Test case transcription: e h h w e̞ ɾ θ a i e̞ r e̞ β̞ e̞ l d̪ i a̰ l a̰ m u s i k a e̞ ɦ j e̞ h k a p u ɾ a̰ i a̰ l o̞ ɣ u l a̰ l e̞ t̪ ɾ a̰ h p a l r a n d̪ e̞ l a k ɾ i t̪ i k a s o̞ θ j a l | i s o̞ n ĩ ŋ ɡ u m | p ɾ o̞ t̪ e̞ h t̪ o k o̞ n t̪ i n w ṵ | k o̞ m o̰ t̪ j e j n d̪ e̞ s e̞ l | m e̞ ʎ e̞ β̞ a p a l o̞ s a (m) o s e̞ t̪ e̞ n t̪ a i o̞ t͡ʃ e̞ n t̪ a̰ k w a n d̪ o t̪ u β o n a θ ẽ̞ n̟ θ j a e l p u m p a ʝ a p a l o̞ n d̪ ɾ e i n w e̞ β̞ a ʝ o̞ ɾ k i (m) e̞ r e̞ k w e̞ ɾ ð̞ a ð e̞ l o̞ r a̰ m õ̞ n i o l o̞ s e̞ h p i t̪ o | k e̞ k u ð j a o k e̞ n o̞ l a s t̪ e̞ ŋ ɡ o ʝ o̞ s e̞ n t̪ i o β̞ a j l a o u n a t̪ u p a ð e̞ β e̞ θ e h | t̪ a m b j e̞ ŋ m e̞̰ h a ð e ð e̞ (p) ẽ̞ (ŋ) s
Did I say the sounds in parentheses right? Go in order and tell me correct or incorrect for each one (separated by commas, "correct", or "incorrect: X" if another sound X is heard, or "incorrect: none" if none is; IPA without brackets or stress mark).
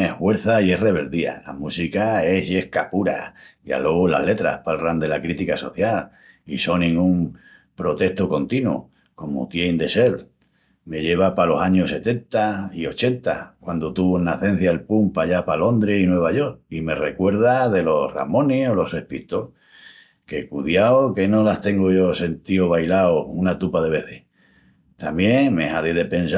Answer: incorrect: ɲ, correct, correct, incorrect: n